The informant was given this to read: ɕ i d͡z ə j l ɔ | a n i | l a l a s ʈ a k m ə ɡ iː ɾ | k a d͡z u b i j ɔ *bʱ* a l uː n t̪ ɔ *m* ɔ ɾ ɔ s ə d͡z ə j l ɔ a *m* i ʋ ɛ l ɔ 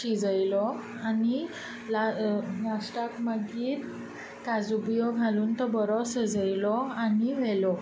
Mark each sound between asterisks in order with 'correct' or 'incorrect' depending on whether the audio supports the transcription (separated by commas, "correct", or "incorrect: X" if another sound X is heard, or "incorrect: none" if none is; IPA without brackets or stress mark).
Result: incorrect: ɡʱ, incorrect: b, incorrect: n